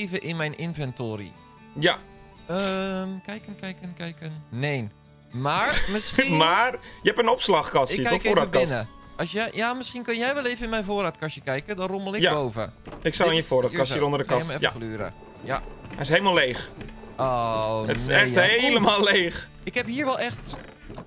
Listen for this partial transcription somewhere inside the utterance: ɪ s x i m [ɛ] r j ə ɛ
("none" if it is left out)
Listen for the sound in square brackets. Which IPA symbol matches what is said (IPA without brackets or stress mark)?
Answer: a